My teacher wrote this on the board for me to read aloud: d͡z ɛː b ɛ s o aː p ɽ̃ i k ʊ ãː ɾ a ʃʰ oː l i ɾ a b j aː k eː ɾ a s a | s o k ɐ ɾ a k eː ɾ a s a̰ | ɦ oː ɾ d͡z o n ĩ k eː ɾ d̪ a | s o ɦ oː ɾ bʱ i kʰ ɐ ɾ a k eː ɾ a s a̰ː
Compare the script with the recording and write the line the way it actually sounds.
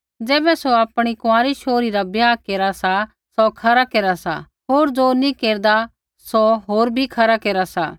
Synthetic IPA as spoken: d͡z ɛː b ɛ s o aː p ɽ̃ i k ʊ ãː ɾ i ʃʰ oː ɾ i ɾ a b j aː k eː ɾ a s a | s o kʰ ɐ ɾ a k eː ɾ a s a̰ | ɦ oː ɾ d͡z o n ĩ k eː ɾ d̪ a | s o ɦ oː ɾ bʱ i kʰ ɐ ɾ a k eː ɾ a s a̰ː

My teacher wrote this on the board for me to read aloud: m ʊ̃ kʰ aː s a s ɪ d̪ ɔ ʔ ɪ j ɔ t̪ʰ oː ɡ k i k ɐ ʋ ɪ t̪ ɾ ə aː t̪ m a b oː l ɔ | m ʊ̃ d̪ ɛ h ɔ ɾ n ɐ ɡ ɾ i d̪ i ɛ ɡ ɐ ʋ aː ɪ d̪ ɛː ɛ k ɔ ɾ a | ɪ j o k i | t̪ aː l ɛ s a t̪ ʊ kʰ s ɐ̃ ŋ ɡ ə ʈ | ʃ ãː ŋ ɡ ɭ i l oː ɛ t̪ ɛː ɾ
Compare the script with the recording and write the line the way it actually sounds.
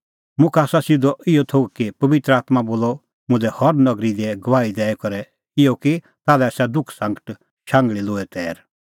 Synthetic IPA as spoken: m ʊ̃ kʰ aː s a s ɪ d̪ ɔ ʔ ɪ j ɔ t̪ʰ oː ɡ k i p ɐ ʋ ɪ t̪ ɾ ə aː t̪ m a b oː l ɔ | m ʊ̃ d̪ ɛ h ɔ ɾ n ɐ ɡ ɾ i d̪ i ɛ ɡ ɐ ʋ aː i d̪ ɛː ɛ k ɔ ɾ ɛ | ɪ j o k i | t̪ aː l ɛ s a d̪ ʊ kʰ s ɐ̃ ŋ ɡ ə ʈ | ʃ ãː ŋ ɡ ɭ i l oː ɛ t̪ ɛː ɾ

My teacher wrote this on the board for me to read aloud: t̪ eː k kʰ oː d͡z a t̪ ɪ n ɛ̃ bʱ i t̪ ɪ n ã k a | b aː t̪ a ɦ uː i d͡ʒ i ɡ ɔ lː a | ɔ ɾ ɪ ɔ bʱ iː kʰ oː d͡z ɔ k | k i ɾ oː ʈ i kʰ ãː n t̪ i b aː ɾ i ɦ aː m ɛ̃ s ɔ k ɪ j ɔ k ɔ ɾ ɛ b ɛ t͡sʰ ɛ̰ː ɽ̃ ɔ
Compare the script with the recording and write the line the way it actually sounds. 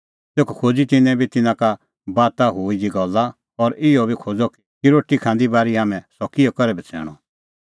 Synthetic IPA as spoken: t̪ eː k kʰ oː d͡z i t̪ ɪ n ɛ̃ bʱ i t̪ ɪ n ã k a | b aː t̪ a ɦ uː i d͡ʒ i ɡ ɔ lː a | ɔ ɾ ɪ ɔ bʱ i kʰ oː d͡z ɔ k | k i ɾ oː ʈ i kʰ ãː n d̪ i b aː ɾ i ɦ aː m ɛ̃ s ɔ k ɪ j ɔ k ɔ ɾ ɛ b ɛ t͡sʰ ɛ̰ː ɽ̃ ɔ

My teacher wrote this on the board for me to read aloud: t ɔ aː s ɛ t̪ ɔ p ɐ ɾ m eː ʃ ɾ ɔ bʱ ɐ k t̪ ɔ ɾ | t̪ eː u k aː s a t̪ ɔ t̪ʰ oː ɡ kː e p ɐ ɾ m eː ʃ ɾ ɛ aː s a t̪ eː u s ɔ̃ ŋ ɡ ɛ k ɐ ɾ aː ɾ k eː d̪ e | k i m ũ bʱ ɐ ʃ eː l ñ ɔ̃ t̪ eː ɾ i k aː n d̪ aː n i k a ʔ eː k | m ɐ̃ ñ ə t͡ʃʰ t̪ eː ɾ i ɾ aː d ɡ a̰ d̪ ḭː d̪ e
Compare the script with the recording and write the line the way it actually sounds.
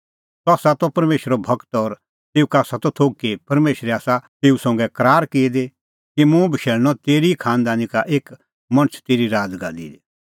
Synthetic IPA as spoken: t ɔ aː s a t̪ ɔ p ɐ ɾ m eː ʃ ɾ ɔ bʱ ɐ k t̪ ɔ ɾ | t̪ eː u k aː s a t̪ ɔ t̪ʰ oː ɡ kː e p ɐ ɾ m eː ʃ ɾ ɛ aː s a t̪ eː u s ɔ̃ ŋ ɡ ɛ k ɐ ɾ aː ɾ k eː d̪ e | k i m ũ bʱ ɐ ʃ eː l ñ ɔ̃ t̪ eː ɾ i kʰ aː n d̪ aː n i k a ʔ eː k | m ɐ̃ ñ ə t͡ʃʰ t̪ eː ɾ i ɾ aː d ɡ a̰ d̪ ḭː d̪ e

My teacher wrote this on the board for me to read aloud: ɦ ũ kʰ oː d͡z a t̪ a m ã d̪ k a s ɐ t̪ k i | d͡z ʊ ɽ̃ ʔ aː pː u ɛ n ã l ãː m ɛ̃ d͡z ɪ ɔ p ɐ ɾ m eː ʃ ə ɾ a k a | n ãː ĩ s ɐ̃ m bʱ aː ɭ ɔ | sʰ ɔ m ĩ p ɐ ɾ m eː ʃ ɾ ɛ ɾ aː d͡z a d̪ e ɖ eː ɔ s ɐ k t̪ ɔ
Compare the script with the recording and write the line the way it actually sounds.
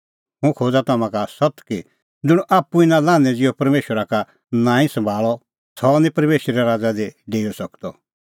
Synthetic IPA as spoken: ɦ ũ kʰ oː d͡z a t̪ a m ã k a s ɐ t̪ k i | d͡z ʊ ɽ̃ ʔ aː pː u i n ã l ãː n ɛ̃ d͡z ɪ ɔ p ɐ ɾ m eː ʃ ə ɾ a k a | n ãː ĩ s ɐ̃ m bʱ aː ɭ ɔ | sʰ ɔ n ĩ p ɐ ɾ m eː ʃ ɾ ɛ ɾ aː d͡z a d̪ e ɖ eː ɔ s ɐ k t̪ ɔ

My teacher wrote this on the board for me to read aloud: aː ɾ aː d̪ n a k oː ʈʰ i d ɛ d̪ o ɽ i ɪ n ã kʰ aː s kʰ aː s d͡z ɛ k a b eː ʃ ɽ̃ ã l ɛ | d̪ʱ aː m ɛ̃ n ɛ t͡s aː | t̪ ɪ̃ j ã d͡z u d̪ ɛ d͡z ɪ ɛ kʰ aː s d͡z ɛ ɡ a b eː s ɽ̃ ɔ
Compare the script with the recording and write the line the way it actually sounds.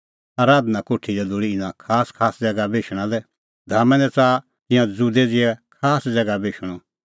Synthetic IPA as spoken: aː ɾ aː d̪ n a k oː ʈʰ i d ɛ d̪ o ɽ i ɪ n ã kʰ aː s kʰ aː s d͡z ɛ ɡ a b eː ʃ ɽ̃ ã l ɛ | d̪ʱ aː m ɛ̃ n ɛ t͡s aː | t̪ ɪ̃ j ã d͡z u d̪ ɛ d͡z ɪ ɛ kʰ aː s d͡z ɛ ɡ a b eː ʃ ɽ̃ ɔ

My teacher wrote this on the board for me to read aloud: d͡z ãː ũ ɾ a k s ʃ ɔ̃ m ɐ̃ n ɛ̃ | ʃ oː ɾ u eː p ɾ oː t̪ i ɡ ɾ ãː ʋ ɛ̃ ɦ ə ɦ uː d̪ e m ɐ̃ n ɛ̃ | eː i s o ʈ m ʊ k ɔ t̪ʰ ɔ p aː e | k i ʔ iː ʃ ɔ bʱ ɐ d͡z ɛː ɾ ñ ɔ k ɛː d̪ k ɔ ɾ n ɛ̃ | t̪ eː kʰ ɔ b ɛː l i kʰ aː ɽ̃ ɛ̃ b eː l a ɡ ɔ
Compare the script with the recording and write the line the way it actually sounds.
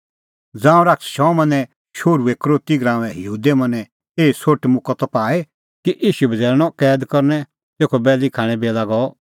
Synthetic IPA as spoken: d͡z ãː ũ ɾ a k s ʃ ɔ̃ m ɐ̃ n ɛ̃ | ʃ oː ɾ u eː k ɾ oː t̪ i ɡ ɾ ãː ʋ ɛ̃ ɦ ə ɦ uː d̪ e m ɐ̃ n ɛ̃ | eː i s o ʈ m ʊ k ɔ t̪ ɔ p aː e | k i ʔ iː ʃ u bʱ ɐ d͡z ɛː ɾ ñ ɔ k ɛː d̪ k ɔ ɾ n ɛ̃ | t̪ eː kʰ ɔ b ɛː l i kʰ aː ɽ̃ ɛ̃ b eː l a ɡ ɔ

